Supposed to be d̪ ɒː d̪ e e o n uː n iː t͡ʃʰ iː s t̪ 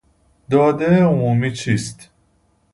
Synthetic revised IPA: d̪ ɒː d̪ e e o m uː m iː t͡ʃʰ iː s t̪